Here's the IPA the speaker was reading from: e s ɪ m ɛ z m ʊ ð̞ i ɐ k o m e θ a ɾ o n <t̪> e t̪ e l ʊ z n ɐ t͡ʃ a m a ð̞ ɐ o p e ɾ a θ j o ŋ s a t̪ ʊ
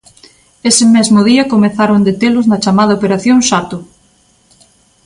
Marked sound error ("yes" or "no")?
yes